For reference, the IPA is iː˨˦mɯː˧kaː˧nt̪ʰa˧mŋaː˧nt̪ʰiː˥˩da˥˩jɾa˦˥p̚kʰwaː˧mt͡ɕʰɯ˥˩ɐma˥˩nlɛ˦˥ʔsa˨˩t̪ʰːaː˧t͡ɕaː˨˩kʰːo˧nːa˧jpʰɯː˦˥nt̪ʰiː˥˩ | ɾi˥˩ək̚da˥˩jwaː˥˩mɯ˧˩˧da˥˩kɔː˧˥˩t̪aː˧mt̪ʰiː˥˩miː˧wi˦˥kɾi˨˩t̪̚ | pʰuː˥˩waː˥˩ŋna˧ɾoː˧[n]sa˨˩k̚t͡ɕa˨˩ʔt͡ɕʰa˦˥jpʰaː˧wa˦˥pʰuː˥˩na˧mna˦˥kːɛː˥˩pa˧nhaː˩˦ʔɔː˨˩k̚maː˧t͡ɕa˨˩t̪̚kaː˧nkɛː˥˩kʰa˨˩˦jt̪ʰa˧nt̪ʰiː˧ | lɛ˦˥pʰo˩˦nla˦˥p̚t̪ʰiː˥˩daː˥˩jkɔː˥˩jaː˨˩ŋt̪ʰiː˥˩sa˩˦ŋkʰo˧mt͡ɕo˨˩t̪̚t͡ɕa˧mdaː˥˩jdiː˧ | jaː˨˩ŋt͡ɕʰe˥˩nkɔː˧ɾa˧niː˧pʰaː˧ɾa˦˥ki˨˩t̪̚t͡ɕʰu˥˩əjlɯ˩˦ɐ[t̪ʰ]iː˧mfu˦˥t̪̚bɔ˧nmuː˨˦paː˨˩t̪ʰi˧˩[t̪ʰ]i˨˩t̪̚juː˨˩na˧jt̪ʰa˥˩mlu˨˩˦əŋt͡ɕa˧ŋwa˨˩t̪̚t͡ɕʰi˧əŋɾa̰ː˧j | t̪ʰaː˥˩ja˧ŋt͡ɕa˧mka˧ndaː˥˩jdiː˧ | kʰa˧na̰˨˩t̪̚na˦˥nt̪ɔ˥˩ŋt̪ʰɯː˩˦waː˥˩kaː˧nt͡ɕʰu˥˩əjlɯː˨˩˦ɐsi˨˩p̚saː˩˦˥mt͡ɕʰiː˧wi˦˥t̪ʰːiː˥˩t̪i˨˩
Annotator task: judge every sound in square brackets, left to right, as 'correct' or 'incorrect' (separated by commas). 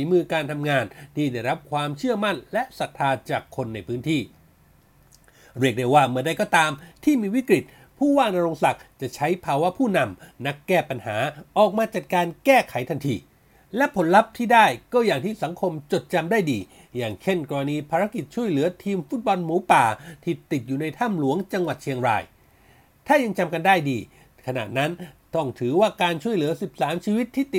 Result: incorrect, correct, incorrect